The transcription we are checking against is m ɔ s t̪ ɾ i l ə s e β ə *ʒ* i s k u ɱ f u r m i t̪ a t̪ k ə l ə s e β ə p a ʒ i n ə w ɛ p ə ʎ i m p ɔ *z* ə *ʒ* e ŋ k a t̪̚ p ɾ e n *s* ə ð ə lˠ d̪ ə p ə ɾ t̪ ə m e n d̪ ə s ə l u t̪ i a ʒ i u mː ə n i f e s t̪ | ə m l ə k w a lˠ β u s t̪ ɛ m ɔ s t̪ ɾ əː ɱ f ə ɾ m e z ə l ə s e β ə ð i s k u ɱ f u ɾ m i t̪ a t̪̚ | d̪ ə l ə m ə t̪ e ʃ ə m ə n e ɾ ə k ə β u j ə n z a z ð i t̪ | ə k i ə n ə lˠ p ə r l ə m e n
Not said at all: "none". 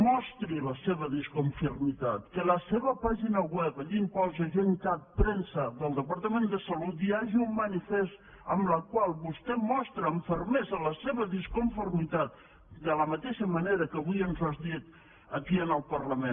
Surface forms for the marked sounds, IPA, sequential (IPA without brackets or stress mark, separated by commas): ð, z, ʒ, s